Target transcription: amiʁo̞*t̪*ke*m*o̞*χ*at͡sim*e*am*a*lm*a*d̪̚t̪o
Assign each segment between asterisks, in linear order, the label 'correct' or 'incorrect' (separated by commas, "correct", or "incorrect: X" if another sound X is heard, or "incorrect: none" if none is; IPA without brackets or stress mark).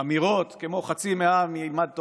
correct, correct, correct, correct, incorrect: i, correct